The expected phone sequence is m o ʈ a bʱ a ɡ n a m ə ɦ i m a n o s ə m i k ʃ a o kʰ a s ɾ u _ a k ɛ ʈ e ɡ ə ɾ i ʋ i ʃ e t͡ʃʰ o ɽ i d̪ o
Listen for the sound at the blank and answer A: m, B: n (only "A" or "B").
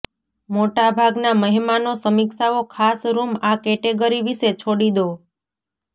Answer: A